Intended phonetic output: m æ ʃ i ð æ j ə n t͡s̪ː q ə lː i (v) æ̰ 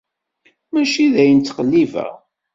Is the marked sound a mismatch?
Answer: no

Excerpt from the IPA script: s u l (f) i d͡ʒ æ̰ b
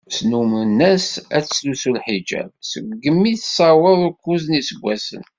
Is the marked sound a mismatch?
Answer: yes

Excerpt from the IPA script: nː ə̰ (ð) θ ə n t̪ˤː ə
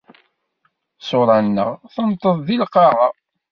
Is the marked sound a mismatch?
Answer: yes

